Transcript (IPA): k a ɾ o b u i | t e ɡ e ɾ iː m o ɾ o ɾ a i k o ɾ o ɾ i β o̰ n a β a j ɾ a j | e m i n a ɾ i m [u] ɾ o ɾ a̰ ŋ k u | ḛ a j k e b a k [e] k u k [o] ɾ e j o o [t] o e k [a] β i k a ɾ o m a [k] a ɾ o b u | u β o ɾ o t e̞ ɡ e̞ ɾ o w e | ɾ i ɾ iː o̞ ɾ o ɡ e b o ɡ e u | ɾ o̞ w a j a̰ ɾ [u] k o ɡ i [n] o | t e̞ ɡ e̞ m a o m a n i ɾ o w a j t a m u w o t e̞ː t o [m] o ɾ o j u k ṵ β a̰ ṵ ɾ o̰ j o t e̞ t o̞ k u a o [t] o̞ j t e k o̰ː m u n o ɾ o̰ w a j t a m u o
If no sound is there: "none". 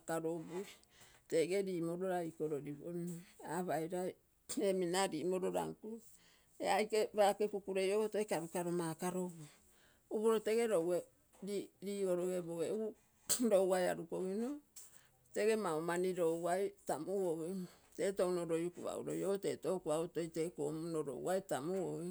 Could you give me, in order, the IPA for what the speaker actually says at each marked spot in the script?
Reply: o, e, u, t, a, k, u, n, n, t

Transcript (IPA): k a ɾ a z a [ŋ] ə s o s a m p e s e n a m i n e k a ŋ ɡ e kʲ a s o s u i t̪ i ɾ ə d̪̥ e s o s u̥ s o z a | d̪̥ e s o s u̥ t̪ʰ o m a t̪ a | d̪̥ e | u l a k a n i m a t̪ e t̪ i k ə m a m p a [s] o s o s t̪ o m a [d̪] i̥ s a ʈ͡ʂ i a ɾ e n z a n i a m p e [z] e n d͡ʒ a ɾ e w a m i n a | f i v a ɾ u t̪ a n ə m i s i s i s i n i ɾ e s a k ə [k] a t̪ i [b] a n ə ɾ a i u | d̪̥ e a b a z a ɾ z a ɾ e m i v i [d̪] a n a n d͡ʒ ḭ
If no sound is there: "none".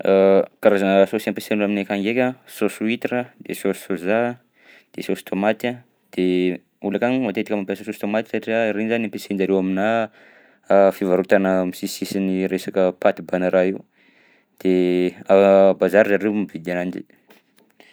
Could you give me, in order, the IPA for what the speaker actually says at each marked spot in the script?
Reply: n, s, t̪, s, p, b, d̪

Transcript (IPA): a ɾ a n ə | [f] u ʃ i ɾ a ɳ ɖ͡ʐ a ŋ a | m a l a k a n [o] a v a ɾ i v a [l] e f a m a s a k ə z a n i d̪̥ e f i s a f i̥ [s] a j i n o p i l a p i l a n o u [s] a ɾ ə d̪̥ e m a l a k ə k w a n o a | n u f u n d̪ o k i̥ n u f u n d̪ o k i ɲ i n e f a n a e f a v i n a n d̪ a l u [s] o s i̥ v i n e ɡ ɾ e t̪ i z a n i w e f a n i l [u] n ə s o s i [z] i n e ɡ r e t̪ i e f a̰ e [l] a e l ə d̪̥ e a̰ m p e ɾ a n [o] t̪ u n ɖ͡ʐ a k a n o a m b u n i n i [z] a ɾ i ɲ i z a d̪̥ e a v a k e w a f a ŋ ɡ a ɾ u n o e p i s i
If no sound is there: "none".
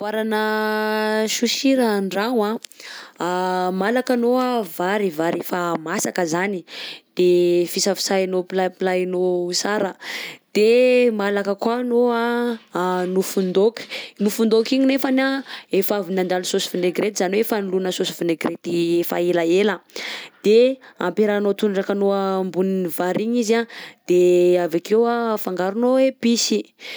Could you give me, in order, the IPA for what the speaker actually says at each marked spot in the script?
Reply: ʃ, o, ɾ, s, s, s, u, v, l, o, v

